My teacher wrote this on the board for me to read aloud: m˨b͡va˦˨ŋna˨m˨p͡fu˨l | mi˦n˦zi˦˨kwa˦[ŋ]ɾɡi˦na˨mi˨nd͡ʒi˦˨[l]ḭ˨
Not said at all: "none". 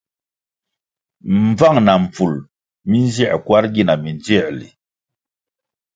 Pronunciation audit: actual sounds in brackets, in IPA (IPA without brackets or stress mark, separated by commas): none, l